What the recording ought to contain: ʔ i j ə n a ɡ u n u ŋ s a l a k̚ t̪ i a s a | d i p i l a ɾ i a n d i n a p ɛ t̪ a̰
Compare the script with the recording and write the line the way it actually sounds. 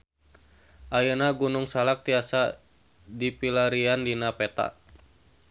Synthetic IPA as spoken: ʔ a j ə n a ɡ u n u ŋ s a l a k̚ t̪ i a s a | d i p i l a ɾ i a n d i n a p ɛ t̪ a̰